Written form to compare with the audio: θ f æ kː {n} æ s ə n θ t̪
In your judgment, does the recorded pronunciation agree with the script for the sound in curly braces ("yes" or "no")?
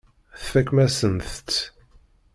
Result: no